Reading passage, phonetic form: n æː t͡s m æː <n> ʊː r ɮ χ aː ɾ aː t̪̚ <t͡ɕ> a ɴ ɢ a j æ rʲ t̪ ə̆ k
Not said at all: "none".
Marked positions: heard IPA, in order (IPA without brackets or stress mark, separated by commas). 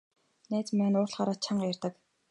n, t͡ɕʰ